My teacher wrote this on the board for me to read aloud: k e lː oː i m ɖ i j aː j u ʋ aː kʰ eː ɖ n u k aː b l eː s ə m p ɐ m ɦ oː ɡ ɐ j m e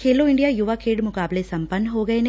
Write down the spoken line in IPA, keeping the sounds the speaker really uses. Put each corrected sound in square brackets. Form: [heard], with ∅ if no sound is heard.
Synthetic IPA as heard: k e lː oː i [ɳ] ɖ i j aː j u ʋ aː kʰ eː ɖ [m] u k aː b l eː s [ɐ] m p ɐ [n] ɦ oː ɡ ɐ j [n] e

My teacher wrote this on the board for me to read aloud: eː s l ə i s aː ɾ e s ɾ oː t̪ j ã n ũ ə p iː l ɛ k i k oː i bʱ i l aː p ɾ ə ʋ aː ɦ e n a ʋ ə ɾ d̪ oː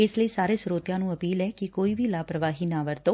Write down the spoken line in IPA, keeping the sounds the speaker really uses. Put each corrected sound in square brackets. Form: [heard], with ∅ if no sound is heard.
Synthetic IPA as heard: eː s l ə i s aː ɾ e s ɾ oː t̪ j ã n ũ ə p iː l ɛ k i k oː i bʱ i l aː p ɾ ə ʋ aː ɦ [i] n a ʋ ə ɾ [t̪] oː

